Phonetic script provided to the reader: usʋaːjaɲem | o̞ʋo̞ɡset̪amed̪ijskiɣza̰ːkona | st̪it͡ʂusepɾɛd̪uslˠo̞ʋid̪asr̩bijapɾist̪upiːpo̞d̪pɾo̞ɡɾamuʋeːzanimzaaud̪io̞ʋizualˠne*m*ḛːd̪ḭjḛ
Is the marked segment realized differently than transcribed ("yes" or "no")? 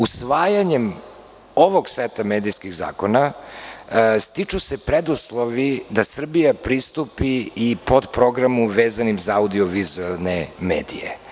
no